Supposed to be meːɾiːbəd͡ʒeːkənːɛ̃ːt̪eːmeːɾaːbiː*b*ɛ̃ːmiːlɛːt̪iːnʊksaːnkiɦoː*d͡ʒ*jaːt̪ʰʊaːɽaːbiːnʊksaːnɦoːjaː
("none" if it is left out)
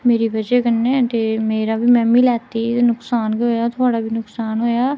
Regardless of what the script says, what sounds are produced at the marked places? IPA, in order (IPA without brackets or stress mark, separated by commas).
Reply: m, none